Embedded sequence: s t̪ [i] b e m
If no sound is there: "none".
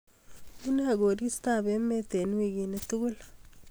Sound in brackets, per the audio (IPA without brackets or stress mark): a